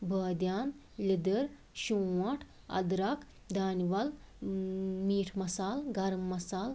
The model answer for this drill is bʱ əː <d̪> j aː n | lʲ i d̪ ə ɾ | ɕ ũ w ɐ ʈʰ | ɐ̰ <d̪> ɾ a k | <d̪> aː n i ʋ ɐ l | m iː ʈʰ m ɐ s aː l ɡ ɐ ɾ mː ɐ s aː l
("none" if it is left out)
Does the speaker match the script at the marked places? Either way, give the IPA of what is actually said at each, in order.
d̪, d̪, d̪

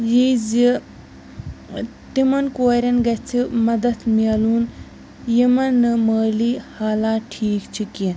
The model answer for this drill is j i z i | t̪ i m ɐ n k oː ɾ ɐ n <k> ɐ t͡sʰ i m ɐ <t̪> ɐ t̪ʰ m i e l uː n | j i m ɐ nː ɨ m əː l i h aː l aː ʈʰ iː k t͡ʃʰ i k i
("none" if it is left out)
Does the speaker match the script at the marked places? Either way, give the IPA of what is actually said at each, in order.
ɡ, d̪

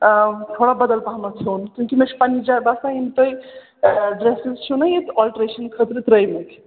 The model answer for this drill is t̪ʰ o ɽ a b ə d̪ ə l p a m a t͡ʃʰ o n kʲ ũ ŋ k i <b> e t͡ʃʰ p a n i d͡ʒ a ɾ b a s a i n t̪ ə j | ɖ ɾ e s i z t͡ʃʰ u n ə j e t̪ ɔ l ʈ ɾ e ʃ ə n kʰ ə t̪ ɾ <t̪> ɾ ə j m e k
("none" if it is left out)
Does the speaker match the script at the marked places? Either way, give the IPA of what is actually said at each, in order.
m, t̪

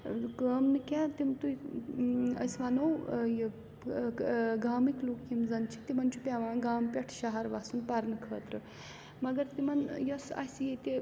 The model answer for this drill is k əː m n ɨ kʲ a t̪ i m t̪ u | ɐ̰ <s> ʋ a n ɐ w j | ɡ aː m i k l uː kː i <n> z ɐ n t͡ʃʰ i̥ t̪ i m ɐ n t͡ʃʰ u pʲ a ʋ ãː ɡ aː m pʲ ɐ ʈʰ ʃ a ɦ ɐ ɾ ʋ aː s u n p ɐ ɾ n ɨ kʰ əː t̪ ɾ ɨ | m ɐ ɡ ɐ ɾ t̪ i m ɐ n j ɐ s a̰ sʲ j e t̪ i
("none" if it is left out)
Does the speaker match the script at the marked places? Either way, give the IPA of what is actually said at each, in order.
s, m

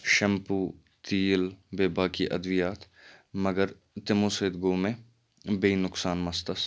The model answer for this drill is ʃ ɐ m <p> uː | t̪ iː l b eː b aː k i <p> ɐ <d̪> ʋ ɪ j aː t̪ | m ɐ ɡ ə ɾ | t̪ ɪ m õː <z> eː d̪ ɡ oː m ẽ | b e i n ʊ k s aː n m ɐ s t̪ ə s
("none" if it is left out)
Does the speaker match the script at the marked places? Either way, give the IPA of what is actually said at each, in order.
p, ʔ, d̪, s

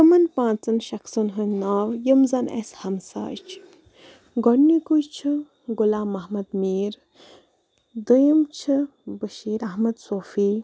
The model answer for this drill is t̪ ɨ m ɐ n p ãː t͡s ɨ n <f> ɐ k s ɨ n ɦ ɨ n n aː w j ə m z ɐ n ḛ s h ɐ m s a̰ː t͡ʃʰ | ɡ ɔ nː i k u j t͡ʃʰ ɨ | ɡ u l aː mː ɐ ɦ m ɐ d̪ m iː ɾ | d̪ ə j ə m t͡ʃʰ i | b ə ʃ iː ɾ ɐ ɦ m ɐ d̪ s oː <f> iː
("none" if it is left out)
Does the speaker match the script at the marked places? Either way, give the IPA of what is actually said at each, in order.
ʃ, f

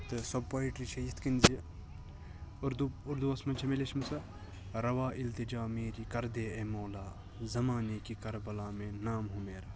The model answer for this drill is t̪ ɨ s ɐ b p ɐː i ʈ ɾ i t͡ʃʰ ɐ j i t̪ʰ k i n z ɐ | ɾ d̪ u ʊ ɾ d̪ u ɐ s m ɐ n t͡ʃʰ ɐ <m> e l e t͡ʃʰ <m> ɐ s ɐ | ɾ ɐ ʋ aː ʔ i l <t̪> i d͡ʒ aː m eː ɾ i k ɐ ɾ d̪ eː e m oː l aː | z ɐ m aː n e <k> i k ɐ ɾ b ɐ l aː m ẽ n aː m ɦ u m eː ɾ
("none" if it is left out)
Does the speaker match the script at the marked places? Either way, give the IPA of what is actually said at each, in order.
m, m, t̪, k

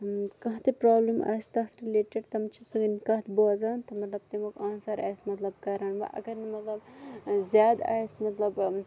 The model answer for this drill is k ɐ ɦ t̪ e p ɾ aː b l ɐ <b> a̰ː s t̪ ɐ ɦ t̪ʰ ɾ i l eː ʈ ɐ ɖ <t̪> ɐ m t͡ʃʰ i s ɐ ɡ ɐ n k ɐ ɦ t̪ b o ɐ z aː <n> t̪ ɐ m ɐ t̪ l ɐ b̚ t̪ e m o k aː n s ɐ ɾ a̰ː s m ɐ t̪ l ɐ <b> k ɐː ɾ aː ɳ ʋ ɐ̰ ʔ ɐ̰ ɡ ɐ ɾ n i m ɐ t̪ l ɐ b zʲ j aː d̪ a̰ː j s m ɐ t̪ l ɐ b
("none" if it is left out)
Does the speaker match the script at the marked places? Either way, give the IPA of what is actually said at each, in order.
m, t̪, n, b

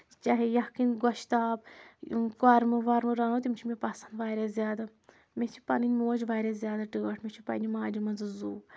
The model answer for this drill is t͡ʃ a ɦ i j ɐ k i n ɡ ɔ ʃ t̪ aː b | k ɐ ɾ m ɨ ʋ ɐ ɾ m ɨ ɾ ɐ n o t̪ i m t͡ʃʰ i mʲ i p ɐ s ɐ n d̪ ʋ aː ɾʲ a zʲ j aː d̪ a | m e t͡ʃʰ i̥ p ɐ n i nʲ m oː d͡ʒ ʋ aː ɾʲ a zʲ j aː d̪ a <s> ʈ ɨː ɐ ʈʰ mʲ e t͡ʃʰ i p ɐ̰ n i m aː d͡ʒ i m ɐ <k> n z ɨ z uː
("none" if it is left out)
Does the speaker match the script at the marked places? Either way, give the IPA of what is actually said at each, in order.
none, none

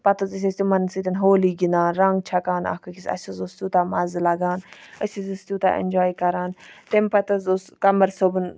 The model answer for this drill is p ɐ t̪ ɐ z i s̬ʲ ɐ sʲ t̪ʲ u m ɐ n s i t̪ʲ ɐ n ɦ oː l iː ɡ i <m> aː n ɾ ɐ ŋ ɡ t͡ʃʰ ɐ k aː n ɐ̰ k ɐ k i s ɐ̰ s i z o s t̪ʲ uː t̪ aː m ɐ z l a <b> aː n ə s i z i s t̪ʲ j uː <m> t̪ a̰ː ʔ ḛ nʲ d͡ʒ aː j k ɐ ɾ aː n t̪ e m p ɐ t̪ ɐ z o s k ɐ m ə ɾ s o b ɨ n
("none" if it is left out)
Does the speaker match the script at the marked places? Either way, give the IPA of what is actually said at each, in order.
n, ɡ, none

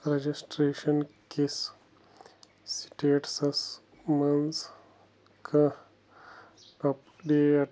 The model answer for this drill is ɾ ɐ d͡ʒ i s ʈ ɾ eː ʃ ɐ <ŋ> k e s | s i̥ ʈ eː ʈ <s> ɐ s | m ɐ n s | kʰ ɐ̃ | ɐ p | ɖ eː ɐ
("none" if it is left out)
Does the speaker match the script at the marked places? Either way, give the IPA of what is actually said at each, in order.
n, s

